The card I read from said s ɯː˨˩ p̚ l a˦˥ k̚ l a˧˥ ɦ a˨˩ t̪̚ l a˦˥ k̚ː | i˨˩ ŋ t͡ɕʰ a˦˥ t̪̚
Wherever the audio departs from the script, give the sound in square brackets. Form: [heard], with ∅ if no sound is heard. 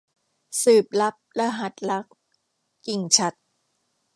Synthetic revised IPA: s ɯː˨˩ p̚ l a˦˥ [p̚] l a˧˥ ɦ a˨˩ t̪̚ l a˦˥ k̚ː | i˨˩ ŋ t͡ɕʰ a˦˥ t̪̚

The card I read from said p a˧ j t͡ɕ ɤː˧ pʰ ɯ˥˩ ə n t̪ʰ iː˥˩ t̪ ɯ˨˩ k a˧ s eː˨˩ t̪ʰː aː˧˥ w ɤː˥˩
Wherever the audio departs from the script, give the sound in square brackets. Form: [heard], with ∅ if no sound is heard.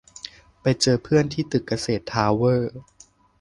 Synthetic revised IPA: p a˧ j t͡ɕ ɤː˧ pʰ ɯ˥˩ ə n t̪ʰ iː˥˩ t̪ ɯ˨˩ k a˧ s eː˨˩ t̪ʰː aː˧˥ w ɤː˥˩

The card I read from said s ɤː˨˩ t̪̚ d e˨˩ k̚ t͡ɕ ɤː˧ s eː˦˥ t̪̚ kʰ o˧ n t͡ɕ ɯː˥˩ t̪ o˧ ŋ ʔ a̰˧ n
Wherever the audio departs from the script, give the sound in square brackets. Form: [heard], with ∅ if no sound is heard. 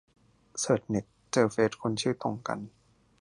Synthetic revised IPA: s ɤː˨˩ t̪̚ [n] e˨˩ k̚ t͡ɕ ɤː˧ [f] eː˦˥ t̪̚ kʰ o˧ n [t͡ɕʰ] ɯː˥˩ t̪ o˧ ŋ [k] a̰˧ n

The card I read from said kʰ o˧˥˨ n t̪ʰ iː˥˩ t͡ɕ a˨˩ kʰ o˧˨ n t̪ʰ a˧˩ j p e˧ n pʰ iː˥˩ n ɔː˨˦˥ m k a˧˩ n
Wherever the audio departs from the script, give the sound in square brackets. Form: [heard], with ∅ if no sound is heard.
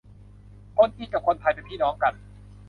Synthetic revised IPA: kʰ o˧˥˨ n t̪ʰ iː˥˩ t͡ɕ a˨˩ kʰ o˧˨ n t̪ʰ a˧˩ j p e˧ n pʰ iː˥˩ n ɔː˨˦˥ [ŋ] k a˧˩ n

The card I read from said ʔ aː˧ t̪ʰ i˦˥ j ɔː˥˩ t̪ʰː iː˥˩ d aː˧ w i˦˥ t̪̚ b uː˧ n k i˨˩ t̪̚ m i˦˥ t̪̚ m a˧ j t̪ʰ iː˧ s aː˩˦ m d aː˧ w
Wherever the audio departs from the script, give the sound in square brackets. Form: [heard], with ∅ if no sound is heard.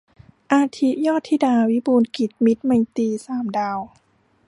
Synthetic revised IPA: ʔ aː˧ t̪ʰ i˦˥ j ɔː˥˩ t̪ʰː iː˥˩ d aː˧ w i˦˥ [∅] b uː˧ n k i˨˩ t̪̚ m i˦˥ t̪̚ m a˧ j [t̪] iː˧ s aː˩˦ m d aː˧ w

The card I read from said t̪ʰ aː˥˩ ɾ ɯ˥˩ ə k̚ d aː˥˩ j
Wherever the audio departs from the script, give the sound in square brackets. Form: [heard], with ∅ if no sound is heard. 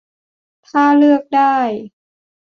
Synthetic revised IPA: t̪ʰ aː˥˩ [l] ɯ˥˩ ə k̚ d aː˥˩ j

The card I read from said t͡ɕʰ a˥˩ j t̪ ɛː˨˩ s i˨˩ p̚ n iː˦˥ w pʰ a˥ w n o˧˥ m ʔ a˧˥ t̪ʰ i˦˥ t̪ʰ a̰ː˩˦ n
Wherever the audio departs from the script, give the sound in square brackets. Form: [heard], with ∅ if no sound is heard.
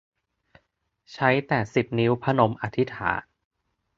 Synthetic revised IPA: t͡ɕʰ [a˦˥] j t̪ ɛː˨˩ s i˨˩ p̚ n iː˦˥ w pʰ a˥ [∅] n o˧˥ m ʔ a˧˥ t̪ʰ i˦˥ t̪ʰ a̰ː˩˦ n

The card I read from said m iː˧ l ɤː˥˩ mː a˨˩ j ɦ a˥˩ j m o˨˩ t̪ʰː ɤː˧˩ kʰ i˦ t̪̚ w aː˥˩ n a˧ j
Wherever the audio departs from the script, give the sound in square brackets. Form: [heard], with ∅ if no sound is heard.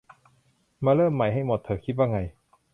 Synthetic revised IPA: m [aː˧] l ɤː˥˩ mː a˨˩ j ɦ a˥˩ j m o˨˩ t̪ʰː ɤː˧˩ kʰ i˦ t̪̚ w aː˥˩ [ŋ] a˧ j

